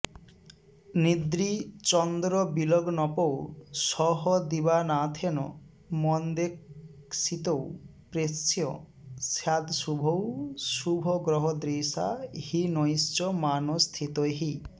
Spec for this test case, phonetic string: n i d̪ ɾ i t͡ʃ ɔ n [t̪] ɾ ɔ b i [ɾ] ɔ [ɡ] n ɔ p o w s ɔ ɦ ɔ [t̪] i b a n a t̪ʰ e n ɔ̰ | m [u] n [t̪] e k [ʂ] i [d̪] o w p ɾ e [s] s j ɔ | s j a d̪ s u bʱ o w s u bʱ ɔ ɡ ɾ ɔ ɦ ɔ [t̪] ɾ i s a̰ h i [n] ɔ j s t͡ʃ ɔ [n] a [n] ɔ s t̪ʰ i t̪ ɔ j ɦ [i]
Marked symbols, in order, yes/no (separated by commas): no, no, yes, no, no, no, no, no, yes, no, yes, no, yes, yes